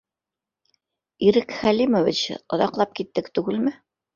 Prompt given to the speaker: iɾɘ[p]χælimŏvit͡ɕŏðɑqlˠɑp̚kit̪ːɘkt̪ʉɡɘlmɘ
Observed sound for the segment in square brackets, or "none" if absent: k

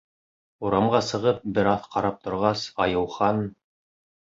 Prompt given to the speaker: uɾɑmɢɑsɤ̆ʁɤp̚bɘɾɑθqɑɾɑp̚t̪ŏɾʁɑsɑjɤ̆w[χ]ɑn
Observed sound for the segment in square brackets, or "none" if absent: χ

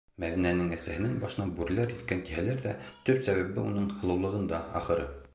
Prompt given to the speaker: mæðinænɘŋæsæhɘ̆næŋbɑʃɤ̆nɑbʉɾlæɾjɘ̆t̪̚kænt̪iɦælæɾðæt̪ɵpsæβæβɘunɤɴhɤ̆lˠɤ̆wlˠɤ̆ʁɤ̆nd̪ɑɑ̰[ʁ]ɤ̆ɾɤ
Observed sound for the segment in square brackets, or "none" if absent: χ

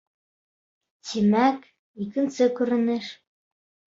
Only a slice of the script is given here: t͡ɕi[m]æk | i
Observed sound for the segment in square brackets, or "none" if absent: m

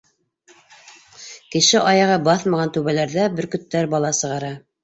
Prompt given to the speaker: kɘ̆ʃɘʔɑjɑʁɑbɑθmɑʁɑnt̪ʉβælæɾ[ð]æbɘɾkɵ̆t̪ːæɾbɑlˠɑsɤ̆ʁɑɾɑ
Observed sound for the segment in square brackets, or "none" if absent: ð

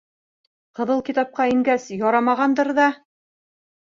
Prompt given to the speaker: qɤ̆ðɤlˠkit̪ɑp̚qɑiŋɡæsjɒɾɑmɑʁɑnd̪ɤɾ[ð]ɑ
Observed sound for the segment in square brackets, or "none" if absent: ð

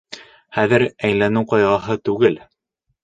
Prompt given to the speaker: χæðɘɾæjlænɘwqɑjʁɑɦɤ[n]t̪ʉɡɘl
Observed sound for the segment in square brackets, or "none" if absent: none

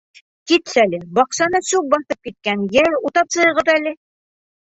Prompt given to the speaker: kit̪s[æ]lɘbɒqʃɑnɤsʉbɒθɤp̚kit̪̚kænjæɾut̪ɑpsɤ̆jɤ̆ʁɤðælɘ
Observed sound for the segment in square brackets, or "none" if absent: æ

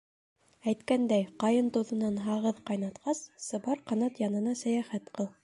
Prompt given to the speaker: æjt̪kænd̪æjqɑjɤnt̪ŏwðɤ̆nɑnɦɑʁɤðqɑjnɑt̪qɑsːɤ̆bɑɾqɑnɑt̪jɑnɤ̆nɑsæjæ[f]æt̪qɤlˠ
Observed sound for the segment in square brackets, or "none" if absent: χ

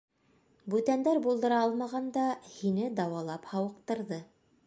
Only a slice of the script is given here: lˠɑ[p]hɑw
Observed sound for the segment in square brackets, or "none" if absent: p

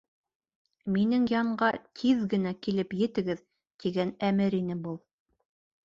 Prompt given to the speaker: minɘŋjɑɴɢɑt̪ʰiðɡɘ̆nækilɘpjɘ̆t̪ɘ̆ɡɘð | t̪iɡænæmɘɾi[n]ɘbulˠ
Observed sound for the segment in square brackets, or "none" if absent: n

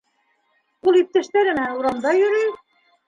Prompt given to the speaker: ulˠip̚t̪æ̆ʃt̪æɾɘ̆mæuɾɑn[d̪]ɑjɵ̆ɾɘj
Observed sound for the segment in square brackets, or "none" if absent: d̪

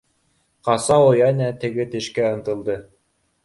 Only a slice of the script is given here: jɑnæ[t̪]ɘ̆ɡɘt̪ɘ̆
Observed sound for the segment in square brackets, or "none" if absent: t̪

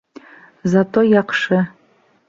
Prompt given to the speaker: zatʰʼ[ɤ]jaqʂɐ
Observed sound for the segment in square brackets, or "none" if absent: o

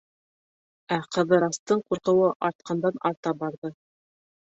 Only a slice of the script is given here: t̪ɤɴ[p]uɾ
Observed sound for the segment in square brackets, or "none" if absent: q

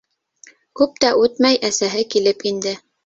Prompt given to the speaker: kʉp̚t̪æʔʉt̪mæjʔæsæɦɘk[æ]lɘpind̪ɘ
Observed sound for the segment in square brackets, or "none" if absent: i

